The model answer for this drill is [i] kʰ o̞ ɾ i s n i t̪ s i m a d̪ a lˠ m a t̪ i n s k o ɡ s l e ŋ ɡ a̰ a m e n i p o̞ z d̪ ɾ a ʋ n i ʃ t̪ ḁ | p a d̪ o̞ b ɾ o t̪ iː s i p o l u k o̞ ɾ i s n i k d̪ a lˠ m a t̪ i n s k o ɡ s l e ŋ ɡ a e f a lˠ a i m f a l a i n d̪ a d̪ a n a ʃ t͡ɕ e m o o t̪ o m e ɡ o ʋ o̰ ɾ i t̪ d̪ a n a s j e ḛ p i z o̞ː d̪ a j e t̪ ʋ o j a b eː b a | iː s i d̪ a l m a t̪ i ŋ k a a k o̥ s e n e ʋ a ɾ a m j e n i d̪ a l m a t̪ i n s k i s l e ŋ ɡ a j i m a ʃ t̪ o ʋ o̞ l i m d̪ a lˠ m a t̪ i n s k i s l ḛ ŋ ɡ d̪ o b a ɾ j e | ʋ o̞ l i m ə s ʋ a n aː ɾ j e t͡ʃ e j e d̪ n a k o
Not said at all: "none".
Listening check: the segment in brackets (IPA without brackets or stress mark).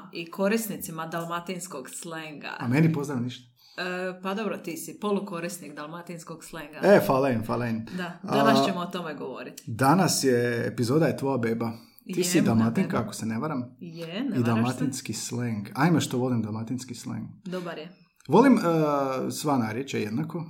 i